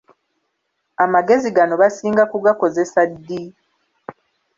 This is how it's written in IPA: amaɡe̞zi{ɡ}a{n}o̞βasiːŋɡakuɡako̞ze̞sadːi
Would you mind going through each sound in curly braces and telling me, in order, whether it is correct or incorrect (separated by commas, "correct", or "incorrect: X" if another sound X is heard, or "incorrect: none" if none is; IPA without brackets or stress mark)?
correct, correct